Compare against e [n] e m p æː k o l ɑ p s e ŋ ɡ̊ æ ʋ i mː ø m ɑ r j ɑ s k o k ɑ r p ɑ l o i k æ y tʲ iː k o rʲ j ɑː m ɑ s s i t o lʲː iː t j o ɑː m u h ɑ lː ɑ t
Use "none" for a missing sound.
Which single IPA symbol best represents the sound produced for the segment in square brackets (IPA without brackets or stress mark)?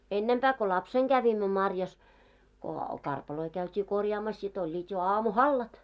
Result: nː